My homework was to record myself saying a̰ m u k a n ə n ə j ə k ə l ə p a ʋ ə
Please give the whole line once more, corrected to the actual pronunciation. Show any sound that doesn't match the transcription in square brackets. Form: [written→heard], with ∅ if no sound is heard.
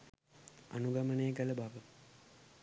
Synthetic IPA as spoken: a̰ [m→n] u [k→ɡ] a [n→m] ə n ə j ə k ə l ə [p→b] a ʋ ə